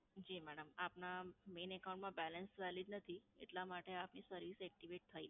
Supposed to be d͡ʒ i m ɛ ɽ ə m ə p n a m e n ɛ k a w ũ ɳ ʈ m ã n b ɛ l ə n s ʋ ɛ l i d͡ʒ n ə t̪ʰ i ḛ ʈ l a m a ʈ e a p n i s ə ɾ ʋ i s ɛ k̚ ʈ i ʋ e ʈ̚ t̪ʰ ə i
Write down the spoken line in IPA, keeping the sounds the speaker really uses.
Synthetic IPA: d͡ʒ i m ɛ ɽ ə m a p n a m e n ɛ k a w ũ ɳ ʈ m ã b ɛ l ə n s ʋ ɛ l i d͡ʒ n ə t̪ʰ i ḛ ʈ l a m a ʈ e a p n i s ə ɾ ʋ i s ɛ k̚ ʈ i ʋ e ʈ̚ t̪ʰ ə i